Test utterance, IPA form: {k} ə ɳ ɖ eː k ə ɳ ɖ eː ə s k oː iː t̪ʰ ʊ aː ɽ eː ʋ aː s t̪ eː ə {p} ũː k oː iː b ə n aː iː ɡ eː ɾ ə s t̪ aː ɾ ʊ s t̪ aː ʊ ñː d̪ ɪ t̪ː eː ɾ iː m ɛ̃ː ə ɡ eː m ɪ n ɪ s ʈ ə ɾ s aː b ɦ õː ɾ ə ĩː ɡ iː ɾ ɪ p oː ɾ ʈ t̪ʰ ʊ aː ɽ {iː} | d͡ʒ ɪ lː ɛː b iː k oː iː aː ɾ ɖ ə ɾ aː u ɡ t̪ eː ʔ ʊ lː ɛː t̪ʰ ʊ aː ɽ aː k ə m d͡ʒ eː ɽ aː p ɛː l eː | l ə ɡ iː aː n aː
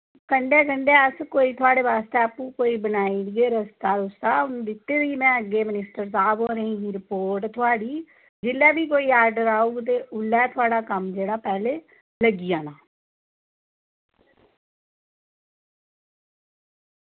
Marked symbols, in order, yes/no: yes, yes, yes

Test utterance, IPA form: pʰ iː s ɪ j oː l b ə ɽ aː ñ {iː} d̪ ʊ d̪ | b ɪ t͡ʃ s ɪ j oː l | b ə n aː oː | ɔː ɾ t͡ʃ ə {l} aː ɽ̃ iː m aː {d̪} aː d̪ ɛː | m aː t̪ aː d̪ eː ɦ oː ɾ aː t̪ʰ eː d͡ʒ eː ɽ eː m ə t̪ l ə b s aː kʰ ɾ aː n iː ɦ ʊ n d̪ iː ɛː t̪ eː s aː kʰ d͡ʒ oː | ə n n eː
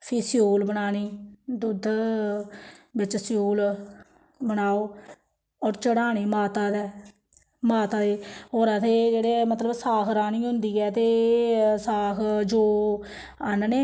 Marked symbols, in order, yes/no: yes, no, no

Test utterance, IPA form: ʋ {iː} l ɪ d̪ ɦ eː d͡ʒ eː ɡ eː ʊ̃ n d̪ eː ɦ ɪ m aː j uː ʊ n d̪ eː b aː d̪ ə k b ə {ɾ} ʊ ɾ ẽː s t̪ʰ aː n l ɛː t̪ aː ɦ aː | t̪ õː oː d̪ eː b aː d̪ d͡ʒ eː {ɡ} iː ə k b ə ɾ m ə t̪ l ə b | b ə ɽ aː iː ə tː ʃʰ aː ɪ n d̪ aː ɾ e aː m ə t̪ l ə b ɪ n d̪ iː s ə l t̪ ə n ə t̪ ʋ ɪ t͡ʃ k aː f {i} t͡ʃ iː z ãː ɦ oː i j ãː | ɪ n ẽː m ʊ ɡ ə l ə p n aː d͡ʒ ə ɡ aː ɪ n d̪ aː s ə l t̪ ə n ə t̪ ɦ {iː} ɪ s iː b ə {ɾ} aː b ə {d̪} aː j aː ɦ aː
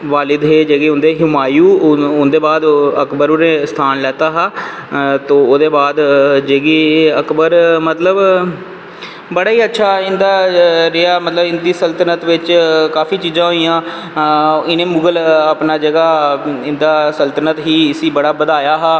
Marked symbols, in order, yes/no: no, yes, yes, no, yes, no, yes

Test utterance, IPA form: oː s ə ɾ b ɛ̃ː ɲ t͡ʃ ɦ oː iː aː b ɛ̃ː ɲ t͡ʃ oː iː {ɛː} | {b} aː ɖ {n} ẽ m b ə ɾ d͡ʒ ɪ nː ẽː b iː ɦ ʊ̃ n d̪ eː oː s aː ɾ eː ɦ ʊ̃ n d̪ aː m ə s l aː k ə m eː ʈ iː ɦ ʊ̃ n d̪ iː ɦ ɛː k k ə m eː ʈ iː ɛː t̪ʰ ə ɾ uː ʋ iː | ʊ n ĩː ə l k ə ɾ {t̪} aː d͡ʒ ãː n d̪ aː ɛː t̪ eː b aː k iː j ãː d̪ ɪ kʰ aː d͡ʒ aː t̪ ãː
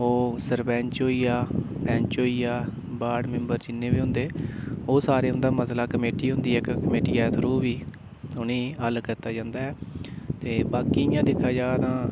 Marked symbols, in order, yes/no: no, yes, no, yes

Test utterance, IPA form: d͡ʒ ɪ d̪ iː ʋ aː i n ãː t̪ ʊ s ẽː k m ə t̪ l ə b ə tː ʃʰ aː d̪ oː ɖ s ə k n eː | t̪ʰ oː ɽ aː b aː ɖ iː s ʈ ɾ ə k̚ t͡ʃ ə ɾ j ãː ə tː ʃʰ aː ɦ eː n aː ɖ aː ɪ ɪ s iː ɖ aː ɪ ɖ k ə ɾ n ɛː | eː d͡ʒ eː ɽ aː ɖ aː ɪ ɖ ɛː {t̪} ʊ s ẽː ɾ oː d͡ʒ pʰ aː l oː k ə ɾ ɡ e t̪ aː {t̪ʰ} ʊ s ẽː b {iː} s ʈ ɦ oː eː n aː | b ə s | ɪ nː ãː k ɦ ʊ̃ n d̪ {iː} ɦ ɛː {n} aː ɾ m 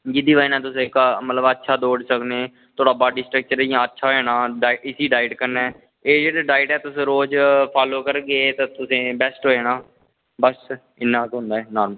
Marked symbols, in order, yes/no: yes, no, no, no, yes

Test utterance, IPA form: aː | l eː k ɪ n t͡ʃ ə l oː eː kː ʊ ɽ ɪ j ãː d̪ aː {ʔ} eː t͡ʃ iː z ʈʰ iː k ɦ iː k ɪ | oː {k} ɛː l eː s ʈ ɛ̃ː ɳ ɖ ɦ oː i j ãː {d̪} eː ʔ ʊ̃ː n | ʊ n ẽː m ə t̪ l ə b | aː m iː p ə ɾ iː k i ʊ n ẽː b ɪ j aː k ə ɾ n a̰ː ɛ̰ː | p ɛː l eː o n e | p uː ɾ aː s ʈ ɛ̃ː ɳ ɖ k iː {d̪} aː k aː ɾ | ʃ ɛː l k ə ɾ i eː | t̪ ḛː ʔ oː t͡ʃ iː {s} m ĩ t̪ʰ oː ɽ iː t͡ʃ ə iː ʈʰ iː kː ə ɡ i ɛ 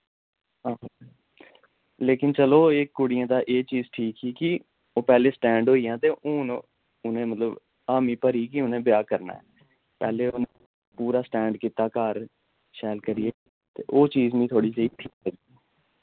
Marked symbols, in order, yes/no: yes, no, no, no, no

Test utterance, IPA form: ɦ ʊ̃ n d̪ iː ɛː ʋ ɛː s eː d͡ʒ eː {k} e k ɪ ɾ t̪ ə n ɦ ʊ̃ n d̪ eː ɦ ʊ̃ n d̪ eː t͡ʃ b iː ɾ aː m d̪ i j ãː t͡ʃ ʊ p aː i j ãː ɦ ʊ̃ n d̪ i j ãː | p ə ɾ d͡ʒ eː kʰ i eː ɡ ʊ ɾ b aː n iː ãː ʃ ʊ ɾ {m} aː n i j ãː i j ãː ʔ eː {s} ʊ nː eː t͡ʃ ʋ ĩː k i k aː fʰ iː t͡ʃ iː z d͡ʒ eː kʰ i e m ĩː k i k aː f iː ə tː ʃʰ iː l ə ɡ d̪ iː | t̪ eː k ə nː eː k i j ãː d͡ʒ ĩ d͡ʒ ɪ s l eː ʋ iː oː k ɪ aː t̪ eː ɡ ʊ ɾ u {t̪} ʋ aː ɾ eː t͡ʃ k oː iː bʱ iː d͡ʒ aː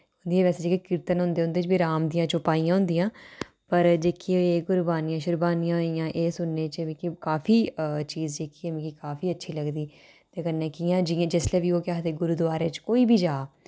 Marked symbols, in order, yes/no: yes, no, yes, no

